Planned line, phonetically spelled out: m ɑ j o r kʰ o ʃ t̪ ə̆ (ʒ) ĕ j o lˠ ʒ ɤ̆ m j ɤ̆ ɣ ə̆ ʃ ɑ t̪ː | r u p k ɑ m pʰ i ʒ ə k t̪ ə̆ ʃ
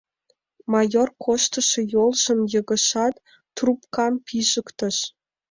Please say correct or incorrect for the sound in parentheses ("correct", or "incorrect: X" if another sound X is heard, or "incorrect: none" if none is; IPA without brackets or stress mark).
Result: incorrect: ʃ